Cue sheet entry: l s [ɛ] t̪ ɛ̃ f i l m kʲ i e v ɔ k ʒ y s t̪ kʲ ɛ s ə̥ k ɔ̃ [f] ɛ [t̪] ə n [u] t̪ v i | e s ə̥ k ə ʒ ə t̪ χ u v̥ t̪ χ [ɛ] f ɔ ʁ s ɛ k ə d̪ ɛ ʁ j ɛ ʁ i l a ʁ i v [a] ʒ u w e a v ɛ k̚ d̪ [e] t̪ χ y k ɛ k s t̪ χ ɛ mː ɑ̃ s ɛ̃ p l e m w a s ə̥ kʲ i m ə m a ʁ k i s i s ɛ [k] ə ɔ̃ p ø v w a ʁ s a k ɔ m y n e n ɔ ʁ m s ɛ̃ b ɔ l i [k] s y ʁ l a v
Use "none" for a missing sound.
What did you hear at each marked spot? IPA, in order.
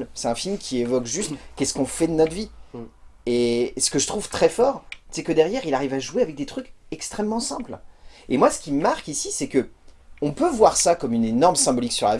ɛ, f, d̪, ɔ, ɛ, a, e, k, k

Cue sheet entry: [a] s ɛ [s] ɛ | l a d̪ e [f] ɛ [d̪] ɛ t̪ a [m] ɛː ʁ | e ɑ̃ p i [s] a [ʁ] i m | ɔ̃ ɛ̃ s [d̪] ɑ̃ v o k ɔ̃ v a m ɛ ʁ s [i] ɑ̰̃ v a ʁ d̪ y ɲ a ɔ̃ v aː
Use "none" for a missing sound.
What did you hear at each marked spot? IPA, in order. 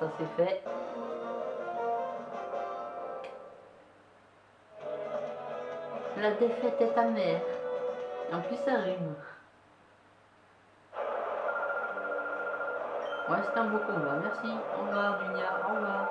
a, f, f, t̪, m, s, ʁ, t̪, i

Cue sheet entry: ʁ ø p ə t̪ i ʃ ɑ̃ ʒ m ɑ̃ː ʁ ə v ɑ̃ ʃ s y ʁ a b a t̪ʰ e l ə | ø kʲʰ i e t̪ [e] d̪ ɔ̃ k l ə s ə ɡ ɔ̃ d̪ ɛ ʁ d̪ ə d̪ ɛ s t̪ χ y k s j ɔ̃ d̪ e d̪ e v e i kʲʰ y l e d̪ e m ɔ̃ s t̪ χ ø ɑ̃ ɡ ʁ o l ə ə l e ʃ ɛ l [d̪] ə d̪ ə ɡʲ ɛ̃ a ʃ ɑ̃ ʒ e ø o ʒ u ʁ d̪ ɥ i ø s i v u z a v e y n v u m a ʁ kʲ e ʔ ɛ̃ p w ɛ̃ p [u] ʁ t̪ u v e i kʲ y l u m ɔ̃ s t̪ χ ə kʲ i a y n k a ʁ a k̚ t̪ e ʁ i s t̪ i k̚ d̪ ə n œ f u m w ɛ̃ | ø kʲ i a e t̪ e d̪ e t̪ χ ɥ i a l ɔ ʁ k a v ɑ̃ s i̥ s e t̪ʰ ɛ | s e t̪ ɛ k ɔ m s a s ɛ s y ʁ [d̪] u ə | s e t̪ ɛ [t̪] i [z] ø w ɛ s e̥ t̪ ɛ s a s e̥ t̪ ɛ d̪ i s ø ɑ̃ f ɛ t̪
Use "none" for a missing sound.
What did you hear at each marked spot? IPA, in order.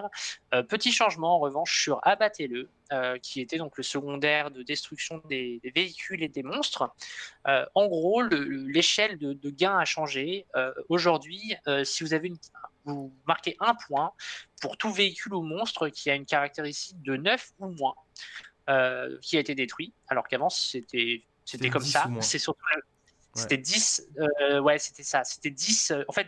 ɛ, d̪, u, t̪, d̪, s

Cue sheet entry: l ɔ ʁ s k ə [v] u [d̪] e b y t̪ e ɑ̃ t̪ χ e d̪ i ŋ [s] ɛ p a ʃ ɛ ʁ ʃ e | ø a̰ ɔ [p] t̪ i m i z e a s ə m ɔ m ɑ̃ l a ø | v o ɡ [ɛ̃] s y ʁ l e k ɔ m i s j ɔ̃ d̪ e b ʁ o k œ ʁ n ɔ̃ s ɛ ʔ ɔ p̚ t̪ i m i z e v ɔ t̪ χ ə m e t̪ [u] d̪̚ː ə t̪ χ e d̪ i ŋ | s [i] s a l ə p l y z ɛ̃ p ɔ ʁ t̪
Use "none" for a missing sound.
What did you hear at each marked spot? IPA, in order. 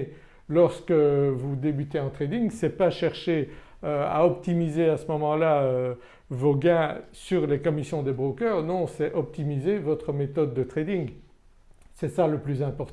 v, d̪, s, p, ɛ̃, ɔ, ɛ

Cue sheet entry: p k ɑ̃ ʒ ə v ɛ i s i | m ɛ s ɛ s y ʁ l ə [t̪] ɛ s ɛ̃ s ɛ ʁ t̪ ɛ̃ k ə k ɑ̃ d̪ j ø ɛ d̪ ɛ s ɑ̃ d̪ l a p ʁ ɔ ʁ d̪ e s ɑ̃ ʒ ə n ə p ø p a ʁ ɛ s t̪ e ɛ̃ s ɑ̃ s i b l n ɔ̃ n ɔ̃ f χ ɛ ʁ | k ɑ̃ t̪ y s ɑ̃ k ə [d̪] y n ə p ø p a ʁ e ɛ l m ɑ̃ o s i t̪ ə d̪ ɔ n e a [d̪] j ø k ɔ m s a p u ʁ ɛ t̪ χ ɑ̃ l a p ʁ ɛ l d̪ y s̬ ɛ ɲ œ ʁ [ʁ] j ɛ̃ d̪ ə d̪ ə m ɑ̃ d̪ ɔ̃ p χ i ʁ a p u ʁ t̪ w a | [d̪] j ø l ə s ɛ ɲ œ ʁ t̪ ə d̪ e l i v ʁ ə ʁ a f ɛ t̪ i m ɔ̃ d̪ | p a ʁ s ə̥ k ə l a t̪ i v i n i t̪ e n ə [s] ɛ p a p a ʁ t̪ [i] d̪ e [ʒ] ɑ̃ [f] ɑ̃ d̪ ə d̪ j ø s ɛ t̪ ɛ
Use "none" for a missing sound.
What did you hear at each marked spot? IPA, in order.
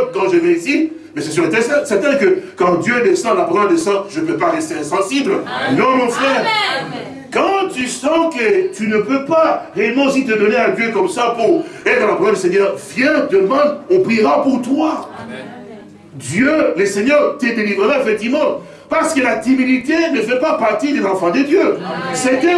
t̪, t̪, d̪, v, d̪, f, i, z, f

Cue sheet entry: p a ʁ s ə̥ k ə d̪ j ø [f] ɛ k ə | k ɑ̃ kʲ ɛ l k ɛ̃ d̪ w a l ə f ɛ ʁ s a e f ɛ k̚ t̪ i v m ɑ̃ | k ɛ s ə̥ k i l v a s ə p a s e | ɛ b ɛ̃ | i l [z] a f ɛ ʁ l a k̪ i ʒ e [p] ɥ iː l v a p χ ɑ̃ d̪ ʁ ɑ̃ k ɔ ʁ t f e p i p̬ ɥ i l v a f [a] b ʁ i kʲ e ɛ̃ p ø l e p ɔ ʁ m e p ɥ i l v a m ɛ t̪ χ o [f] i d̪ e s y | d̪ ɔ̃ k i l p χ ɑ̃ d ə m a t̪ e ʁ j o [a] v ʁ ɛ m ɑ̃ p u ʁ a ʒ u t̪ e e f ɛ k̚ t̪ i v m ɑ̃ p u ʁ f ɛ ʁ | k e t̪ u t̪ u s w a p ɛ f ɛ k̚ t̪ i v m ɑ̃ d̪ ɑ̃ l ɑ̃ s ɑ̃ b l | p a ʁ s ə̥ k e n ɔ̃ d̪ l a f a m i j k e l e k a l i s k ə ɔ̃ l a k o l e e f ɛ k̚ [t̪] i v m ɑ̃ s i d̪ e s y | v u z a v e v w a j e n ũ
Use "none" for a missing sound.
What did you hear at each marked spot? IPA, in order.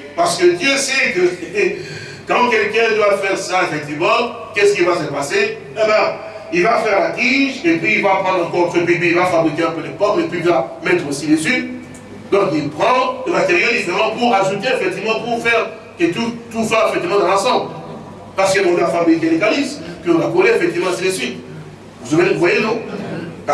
s, v, p, a, s, i, t̪

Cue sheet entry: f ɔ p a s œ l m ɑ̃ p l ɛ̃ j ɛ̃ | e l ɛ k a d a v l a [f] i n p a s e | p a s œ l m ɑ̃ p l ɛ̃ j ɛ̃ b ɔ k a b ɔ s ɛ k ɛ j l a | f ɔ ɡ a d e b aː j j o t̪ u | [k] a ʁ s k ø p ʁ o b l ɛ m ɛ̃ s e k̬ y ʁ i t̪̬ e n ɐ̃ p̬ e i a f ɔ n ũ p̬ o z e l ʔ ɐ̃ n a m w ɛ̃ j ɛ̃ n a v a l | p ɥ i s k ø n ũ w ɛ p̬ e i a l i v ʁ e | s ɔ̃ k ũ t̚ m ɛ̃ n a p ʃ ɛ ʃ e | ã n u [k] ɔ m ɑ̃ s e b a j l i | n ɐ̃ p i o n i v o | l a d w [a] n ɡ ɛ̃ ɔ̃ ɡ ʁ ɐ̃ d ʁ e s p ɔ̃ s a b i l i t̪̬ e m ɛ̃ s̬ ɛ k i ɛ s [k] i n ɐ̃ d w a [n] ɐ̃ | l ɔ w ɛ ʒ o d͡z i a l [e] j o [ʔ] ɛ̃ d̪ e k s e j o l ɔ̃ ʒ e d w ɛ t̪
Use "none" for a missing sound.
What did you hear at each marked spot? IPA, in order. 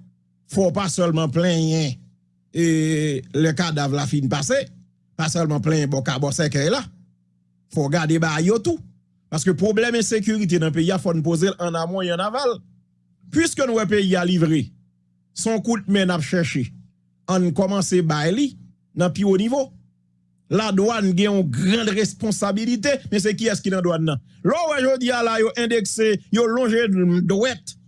f, p, k, a, k, nː, a, ʔ

